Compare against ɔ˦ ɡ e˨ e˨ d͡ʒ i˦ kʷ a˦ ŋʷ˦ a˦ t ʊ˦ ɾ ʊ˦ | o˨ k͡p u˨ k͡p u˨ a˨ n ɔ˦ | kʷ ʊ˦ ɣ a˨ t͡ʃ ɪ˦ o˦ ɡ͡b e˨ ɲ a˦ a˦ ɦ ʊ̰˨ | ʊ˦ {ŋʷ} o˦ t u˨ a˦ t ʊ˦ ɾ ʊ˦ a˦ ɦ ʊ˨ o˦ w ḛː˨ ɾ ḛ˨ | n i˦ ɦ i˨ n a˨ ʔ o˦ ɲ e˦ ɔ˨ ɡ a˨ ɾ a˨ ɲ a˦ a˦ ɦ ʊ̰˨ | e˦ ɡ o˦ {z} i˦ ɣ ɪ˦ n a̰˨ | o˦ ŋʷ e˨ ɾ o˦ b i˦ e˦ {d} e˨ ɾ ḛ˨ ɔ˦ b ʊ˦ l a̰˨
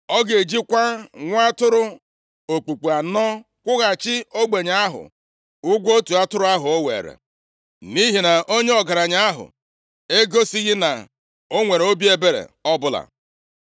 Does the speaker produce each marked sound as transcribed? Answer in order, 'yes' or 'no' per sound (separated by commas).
no, no, no